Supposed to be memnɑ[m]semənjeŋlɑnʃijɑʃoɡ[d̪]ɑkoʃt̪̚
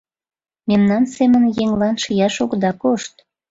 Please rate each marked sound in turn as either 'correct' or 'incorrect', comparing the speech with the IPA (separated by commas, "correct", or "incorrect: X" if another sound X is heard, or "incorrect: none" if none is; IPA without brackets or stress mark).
incorrect: n, correct